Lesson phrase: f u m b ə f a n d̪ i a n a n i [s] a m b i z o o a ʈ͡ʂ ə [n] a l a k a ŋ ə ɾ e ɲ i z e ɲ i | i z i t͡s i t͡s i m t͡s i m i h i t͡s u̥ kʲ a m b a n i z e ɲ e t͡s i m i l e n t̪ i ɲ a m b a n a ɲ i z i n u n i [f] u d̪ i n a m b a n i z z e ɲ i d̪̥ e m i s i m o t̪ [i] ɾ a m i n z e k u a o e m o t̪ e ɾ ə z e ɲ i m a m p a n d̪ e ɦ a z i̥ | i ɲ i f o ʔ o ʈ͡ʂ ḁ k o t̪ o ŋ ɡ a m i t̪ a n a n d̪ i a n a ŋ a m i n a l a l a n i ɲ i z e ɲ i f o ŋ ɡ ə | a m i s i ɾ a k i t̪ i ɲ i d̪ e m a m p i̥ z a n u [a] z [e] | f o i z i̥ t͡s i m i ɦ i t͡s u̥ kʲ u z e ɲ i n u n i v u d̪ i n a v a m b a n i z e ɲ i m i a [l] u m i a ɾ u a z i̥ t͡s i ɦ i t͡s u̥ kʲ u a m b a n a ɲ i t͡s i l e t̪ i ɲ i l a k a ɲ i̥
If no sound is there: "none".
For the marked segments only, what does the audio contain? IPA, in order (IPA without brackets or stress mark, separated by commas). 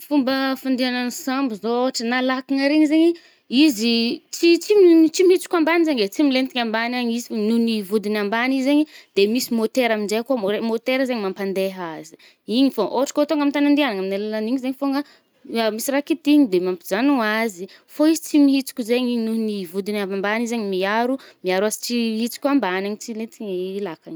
s, n, v, e, a, i, ɾ